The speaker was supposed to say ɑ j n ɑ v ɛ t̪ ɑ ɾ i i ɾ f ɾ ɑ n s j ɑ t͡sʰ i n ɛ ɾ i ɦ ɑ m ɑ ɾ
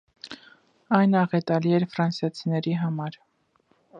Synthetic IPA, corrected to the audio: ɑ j n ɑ ʁ ɛ t̪ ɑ l i ɛ ɾ f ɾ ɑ n s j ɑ t͡sʰ i n ɛ ɾ i ɦ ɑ m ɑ ɾ